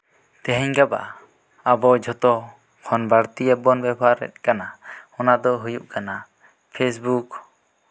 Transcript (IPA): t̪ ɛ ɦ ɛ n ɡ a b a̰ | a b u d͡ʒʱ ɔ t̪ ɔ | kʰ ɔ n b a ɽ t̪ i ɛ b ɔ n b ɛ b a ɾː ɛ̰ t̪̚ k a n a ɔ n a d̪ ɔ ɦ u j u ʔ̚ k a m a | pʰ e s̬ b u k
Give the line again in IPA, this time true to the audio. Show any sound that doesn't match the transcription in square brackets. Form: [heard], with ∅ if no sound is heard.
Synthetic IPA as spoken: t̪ ɛ ɦ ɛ [ɲ] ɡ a b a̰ | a b [ɔ] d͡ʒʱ ɔ t̪ ɔ | kʰ ɔ n b a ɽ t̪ i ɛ b ɔ n b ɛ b a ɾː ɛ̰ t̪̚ k a n a ɔ n a d̪ ɔ ɦ u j u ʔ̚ k a [n] a | pʰ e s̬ b u k